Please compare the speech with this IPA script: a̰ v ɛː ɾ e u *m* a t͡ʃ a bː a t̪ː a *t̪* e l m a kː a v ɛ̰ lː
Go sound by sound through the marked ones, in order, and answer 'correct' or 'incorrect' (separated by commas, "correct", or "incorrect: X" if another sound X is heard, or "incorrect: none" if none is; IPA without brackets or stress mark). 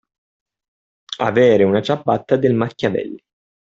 incorrect: n, incorrect: d̪